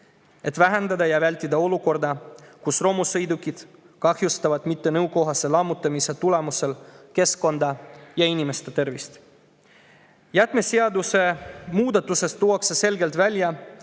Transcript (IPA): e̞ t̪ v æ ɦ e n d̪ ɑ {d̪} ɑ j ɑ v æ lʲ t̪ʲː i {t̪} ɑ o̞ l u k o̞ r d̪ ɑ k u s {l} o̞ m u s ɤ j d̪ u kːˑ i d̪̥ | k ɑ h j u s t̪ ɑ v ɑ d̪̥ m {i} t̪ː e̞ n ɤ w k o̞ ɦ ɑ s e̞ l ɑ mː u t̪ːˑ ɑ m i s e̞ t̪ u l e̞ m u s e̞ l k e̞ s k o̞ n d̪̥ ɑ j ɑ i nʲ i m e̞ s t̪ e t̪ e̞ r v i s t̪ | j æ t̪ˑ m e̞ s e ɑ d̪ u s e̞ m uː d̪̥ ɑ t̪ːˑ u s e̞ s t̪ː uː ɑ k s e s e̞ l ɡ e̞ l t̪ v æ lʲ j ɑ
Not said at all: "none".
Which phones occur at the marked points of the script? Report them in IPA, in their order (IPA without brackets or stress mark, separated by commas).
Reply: d̪, d̪, r, i